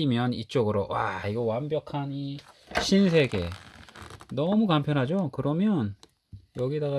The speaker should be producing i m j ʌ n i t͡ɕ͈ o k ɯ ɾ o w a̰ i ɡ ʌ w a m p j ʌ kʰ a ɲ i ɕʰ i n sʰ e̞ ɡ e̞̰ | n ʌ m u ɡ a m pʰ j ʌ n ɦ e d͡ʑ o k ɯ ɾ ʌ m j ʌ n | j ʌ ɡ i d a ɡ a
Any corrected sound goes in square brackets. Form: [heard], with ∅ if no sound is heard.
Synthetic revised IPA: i m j ʌ n i t͡ɕ͈ o [ɡ] ɯ ɾ o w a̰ i ɡ ʌ w a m [b] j ʌ kʰ a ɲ i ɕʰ i n sʰ e̞ ɡ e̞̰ | n ʌ m u [k] a m pʰ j ʌ n ɦ [a] d͡ʑ o k ɯ ɾ ʌ m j ʌ n | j ʌ ɡ i d a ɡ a